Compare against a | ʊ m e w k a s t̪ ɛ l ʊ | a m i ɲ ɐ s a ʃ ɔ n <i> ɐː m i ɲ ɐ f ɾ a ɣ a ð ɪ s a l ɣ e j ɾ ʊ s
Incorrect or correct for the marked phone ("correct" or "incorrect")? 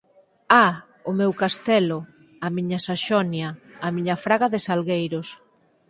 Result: incorrect